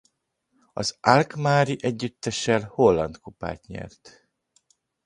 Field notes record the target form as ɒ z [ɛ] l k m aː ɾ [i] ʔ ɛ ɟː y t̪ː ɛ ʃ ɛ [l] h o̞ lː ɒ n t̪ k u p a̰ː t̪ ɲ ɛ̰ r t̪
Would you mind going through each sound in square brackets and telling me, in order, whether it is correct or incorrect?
incorrect, correct, correct

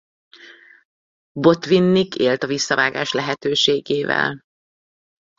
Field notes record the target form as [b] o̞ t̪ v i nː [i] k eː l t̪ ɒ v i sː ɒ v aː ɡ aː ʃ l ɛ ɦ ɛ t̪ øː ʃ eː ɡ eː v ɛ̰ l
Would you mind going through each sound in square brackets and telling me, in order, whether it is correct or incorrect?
correct, correct

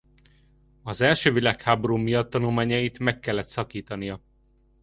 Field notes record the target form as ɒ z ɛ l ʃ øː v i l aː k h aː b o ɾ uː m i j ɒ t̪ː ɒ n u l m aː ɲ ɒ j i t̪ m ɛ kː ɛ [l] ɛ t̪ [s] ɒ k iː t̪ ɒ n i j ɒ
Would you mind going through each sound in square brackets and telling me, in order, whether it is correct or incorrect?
incorrect, correct

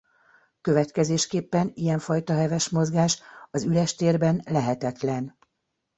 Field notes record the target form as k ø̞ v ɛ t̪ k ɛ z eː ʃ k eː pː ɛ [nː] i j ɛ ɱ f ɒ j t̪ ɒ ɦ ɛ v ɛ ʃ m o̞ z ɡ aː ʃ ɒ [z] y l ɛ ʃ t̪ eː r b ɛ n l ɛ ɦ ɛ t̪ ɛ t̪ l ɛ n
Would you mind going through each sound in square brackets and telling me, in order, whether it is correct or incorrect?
incorrect, correct

